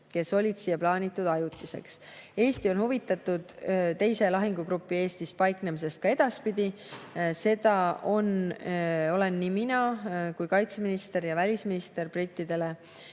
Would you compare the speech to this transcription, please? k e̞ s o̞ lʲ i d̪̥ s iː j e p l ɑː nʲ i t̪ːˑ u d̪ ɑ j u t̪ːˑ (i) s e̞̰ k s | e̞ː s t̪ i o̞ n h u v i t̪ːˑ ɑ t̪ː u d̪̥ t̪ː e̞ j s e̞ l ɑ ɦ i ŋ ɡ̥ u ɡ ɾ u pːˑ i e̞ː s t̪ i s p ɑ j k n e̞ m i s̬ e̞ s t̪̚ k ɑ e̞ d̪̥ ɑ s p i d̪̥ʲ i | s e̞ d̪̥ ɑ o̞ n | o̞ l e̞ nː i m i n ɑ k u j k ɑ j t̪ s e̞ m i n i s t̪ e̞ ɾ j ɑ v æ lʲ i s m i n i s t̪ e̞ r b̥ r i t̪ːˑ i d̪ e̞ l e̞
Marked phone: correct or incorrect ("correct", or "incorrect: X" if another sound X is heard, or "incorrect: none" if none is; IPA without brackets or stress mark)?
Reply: correct